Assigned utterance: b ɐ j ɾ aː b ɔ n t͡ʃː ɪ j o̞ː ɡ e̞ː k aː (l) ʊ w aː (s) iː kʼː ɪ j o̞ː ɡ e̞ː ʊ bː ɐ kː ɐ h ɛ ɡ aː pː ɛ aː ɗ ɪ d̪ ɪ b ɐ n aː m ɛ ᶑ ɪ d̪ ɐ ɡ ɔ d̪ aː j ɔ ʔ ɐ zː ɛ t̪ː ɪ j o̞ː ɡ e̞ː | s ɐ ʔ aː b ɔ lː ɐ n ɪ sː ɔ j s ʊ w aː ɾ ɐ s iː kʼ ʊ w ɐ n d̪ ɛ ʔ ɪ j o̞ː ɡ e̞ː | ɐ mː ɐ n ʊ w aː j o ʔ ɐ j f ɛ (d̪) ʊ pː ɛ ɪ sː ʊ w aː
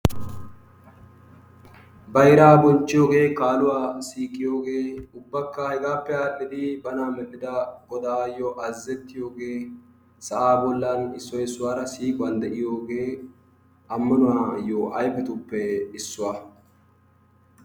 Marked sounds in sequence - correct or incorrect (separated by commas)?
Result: correct, correct, incorrect